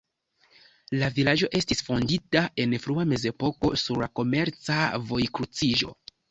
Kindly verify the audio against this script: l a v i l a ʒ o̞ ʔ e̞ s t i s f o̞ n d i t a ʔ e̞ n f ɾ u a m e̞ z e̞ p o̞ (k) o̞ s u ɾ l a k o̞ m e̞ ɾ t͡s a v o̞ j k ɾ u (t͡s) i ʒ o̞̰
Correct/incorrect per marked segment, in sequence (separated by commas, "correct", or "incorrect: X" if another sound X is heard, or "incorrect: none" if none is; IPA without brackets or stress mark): correct, correct